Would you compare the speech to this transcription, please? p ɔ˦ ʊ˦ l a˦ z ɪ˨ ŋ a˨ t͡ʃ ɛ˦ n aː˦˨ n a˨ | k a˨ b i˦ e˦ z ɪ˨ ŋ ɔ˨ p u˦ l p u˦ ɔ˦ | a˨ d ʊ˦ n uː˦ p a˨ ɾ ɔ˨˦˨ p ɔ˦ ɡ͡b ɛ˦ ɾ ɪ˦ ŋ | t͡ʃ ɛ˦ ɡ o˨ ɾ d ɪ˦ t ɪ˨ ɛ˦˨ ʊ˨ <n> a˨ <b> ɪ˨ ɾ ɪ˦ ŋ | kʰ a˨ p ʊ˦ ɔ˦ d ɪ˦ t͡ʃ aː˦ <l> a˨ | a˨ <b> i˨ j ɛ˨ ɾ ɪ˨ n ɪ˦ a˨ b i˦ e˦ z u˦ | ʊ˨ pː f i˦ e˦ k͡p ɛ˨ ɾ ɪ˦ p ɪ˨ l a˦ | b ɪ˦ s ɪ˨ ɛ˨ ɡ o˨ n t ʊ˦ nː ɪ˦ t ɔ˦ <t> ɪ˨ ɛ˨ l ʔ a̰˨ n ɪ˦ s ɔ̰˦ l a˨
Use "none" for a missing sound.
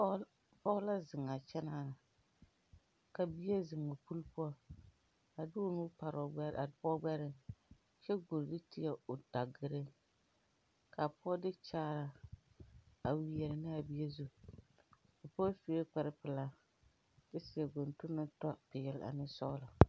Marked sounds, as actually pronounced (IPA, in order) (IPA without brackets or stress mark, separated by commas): d, ɡ, ɾ, w, p